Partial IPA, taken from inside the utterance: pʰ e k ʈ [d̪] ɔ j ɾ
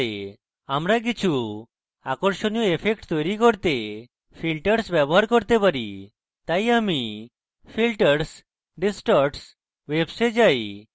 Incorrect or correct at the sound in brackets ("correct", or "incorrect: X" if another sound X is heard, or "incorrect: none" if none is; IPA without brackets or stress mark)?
incorrect: t̪